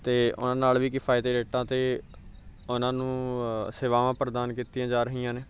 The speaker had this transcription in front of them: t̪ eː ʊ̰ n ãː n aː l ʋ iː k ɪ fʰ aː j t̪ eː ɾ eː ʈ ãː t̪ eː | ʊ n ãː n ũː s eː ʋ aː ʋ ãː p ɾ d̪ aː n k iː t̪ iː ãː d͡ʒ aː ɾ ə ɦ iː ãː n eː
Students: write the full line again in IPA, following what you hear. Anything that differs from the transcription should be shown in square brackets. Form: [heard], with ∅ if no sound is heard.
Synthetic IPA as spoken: t̪ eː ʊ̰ n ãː n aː l ʋ iː k ɪ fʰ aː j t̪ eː ɾ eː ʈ ãː t̪ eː | ʊ n ãː n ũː s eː ʋ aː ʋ ãː p ɾ d̪ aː n k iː t̪ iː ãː d͡ʒ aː ɾ ə ɦ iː ãː n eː